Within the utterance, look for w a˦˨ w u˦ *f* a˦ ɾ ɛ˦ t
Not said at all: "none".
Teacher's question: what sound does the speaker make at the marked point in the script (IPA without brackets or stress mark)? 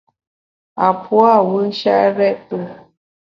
ʃ